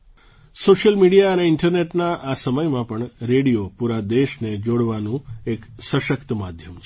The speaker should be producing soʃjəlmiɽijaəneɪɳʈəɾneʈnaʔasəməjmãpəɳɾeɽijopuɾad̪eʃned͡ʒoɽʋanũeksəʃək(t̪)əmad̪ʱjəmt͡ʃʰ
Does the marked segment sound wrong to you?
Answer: no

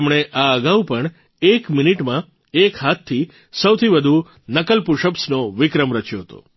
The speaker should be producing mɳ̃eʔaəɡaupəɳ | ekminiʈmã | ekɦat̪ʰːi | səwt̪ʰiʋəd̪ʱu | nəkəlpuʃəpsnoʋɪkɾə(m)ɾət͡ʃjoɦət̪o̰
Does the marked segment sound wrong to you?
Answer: no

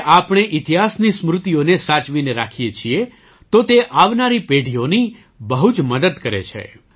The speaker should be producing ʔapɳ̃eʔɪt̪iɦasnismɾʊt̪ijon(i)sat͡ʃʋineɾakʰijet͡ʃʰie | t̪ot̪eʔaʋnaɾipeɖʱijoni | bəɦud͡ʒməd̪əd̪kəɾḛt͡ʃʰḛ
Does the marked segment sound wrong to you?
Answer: yes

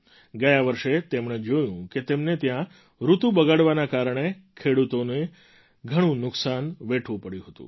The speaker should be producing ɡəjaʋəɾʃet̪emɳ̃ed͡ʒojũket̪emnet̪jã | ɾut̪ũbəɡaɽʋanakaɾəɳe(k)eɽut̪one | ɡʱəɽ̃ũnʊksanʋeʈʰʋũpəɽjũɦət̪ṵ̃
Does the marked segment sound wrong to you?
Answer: yes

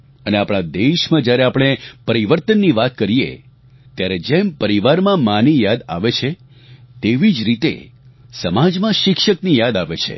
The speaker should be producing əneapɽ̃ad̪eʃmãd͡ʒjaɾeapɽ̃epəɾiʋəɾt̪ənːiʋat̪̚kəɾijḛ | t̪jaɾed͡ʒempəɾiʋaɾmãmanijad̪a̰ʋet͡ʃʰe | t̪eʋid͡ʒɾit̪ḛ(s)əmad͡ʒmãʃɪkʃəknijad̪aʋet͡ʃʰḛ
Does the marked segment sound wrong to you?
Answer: no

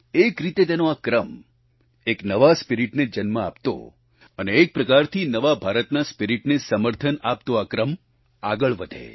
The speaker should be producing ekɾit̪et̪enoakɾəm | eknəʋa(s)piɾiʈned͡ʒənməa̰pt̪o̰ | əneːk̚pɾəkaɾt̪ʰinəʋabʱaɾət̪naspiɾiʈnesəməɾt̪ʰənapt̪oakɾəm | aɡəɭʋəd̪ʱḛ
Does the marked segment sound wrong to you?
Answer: no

